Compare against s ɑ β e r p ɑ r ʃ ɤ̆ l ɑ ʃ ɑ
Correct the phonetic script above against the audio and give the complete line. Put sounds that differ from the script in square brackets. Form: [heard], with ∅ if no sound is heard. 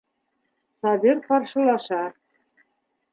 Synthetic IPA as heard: s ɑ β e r p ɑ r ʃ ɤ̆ l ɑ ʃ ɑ